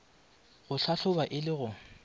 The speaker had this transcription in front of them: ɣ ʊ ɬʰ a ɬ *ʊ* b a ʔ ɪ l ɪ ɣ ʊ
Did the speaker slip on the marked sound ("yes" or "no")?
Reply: no